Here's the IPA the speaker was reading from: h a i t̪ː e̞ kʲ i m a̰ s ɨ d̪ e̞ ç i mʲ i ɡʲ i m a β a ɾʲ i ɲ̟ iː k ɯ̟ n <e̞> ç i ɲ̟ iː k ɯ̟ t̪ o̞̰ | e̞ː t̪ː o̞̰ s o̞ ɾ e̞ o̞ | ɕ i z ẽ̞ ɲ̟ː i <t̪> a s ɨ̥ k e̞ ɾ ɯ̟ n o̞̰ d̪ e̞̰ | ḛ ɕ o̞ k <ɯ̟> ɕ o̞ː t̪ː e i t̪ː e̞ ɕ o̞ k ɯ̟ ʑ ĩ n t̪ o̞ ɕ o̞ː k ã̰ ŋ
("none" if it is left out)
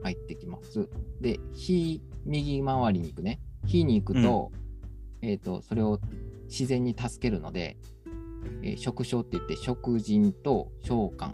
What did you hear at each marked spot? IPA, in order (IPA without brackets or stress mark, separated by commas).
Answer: e̞, t̪, ɯ̟